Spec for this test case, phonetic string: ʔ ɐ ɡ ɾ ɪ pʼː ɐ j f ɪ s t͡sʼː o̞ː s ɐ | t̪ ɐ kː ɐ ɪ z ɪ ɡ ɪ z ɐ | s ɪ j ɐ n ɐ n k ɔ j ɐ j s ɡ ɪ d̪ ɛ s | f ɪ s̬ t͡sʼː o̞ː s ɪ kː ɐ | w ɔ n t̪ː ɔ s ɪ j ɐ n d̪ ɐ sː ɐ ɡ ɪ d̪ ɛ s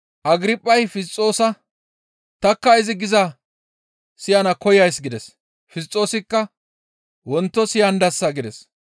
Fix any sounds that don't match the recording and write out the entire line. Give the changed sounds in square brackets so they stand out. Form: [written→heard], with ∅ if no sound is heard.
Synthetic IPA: ʔ ɐ ɡ ɾ ɪ pʼː ɐ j f ɪ s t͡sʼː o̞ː s ɐ | t̪ ɐ kː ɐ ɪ z ɪ ɡ ɪ z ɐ | s ɪ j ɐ n ɐ [n→∅] k ɔ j ɐ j s ɡ ɪ d̪ ɛ s | f ɪ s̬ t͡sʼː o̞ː s ɪ kː ɐ | w ɔ n t̪ː ɔ s ɪ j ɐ n d̪ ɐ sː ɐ ɡ ɪ d̪ ɛ s